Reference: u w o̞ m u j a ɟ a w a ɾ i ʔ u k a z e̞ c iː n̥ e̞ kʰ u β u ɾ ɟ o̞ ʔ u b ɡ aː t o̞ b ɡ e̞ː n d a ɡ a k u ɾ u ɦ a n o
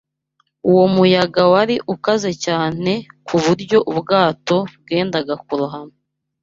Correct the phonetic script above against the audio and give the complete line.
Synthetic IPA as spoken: u w o̞ m u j a ɡ a w a ɾ i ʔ u k a z e̞ c aː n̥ e̞ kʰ u β u ɾ ɟ o̞ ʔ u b ɡ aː t o̞ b ɡ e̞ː n d a ɡ a k u ɾ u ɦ a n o